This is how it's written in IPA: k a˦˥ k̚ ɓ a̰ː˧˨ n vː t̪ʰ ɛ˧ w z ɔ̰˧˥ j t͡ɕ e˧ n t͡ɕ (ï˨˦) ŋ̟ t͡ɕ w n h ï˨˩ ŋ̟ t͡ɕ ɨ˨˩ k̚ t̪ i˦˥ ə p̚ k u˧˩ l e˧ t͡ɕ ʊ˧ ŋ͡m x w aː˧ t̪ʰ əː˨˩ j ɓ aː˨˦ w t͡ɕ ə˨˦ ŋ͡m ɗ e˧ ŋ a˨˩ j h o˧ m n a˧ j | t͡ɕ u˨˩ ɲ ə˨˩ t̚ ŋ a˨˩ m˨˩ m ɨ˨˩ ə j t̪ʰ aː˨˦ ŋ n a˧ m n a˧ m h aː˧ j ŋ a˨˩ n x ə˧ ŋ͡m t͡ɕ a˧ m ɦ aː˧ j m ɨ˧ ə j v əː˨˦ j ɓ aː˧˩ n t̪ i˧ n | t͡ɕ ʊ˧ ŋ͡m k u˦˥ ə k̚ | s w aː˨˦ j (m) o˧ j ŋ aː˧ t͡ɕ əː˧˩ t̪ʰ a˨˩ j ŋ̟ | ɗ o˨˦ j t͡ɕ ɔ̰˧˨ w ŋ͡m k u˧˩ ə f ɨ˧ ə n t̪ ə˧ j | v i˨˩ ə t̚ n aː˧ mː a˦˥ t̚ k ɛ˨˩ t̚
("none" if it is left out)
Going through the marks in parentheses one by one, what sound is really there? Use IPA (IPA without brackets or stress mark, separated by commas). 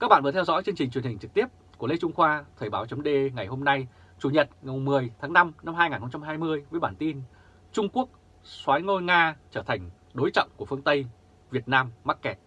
ï˨˩, ŋ